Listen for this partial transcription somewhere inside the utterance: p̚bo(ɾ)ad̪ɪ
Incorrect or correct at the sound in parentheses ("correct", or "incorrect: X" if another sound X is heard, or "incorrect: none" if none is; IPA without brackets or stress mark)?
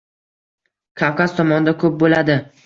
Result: incorrect: l